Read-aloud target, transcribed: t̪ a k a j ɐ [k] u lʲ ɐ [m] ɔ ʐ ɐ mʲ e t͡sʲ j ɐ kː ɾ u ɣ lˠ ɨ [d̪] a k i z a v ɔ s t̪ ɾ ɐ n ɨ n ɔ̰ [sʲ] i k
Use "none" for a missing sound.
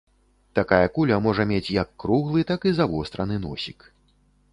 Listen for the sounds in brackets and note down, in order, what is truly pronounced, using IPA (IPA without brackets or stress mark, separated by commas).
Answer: k, m, t̪, sʲ